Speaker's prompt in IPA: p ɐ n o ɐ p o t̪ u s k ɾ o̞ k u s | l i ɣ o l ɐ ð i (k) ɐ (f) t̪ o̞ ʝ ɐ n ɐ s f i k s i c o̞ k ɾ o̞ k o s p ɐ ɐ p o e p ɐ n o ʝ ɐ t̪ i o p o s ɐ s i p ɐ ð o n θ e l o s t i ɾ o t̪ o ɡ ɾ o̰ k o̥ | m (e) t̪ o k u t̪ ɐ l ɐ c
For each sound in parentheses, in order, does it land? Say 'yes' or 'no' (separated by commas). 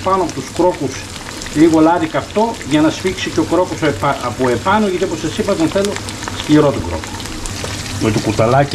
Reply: yes, yes, yes